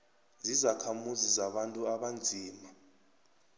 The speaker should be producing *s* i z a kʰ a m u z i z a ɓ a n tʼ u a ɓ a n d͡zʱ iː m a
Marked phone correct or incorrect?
incorrect